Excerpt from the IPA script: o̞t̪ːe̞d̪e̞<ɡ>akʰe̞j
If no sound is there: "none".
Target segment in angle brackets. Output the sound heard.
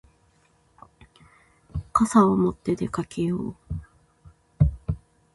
k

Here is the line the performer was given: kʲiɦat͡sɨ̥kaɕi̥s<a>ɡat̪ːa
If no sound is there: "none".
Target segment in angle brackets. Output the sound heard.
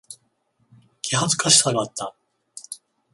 a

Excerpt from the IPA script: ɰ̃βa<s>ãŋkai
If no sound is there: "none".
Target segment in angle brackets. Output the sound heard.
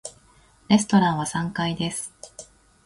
s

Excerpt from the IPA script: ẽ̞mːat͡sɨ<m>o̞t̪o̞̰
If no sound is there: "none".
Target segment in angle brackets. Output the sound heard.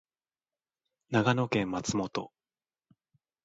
m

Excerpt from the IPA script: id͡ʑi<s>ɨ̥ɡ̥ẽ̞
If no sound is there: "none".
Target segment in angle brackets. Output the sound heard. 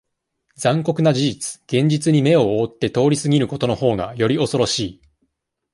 t͡s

